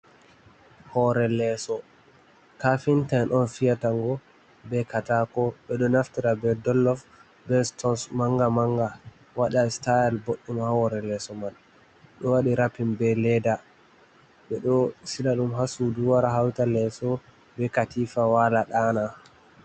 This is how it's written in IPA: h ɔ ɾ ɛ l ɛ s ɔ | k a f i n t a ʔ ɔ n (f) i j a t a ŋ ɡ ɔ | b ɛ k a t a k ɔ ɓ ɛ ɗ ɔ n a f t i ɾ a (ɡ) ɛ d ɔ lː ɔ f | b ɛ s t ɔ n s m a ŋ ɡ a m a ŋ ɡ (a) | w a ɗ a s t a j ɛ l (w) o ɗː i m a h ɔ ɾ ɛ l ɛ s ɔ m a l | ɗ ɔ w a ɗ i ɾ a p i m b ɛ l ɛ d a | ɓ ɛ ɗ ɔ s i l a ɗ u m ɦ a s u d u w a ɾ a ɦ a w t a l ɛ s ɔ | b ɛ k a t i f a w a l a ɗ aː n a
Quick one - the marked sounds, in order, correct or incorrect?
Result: correct, incorrect, correct, incorrect

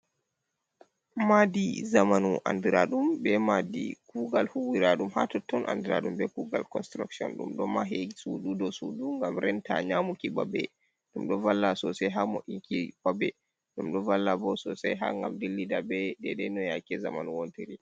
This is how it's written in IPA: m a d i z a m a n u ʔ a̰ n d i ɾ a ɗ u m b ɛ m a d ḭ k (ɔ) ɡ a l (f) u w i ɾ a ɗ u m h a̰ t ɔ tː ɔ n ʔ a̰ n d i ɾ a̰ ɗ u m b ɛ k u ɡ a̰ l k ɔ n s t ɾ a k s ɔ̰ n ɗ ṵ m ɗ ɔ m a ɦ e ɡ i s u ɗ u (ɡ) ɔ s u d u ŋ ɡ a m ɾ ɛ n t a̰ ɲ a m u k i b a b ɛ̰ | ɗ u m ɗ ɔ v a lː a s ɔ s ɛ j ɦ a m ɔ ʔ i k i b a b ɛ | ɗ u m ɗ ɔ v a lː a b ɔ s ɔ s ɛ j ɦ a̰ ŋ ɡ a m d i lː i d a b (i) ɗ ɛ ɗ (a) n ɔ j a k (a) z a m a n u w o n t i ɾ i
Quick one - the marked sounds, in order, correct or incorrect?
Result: incorrect, incorrect, incorrect, incorrect, incorrect, incorrect

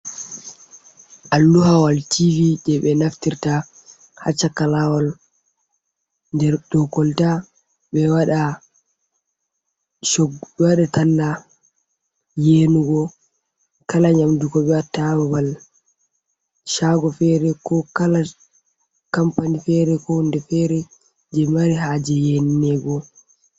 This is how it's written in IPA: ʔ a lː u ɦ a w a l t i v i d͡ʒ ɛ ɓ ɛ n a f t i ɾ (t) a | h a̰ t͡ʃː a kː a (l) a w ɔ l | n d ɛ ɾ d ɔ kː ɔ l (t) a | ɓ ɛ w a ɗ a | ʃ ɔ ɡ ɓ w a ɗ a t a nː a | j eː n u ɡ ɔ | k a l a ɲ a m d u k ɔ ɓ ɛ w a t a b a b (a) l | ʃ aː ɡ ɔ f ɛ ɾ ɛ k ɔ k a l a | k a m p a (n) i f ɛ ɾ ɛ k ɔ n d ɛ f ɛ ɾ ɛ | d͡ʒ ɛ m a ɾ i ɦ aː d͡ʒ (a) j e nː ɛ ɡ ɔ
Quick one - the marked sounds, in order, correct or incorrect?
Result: correct, correct, correct, correct, correct, incorrect

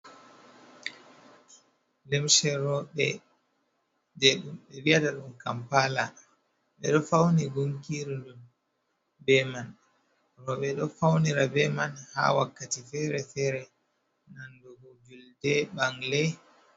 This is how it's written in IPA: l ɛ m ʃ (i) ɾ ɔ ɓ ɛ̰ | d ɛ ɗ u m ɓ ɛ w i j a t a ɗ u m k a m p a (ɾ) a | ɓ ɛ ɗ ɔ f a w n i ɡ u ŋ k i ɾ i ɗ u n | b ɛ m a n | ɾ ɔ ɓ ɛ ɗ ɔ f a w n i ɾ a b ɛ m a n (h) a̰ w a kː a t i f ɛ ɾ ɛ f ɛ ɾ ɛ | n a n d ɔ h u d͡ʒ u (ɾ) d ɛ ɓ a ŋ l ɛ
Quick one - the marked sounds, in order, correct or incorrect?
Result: incorrect, incorrect, correct, incorrect

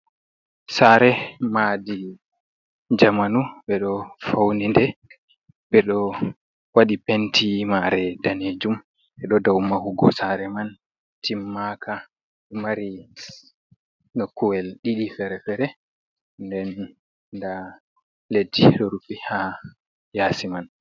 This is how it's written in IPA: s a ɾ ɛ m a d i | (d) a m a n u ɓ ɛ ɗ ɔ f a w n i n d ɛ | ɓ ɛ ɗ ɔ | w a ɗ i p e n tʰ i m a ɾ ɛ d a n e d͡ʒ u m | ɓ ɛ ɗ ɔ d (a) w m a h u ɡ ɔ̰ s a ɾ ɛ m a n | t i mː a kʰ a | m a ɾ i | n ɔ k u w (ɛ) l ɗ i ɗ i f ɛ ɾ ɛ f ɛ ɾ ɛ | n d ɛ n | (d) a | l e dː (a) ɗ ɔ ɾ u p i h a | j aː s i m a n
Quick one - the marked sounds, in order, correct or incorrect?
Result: incorrect, correct, correct, correct, incorrect

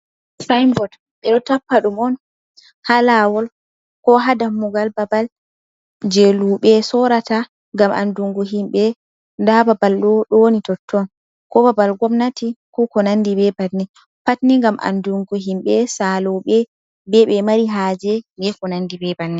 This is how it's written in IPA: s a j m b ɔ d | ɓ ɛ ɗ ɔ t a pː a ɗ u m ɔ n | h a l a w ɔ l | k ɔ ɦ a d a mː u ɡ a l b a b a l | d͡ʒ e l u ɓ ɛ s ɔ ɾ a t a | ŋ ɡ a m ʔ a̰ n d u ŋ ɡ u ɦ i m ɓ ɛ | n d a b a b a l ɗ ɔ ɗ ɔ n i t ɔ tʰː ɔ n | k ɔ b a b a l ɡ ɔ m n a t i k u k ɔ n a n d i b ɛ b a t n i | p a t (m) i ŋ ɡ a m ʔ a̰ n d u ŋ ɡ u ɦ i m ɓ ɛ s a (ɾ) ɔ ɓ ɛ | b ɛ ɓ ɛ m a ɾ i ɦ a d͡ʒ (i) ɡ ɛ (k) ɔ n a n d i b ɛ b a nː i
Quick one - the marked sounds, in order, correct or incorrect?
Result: incorrect, incorrect, incorrect, correct

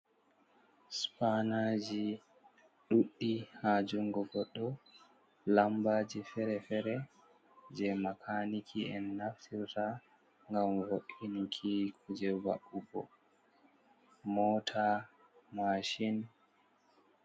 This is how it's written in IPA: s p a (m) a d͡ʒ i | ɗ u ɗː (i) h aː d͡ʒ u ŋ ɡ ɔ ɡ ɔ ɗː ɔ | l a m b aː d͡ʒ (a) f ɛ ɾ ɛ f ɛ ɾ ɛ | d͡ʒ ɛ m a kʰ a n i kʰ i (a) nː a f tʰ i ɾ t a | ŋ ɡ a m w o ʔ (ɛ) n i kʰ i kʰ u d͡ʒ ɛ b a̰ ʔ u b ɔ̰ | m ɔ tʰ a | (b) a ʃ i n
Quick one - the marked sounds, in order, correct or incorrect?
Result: incorrect, correct, incorrect, incorrect, incorrect, incorrect

